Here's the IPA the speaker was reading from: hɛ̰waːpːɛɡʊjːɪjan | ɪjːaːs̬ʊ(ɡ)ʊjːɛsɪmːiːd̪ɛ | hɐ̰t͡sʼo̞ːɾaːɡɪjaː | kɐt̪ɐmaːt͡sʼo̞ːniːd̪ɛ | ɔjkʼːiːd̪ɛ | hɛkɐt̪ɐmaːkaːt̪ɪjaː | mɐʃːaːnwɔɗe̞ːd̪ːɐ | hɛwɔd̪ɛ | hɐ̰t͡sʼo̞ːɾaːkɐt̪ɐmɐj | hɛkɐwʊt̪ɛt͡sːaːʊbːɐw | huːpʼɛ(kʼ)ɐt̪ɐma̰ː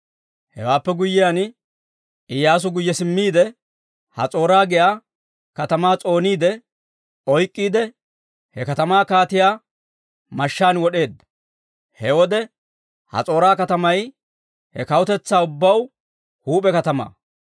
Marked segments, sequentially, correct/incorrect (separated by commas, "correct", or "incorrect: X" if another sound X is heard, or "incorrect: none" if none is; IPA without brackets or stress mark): correct, incorrect: k